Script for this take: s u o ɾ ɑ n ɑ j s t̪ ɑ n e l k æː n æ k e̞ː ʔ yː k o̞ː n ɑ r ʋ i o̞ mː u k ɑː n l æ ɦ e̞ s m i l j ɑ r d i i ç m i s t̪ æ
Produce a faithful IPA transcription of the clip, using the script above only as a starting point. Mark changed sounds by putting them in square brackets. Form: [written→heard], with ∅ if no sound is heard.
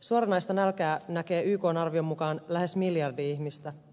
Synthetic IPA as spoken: s u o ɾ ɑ n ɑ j s t̪ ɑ n [e→æ] l k æː n æ k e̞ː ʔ yː k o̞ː n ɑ r ʋ i o̞ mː u k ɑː n l æ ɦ e̞ s m i l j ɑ r d i i ç m i s t̪ æ